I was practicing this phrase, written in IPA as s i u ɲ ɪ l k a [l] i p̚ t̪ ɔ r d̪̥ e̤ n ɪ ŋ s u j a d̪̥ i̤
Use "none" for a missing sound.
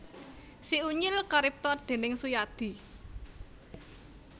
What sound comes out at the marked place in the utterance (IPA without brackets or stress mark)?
ɾ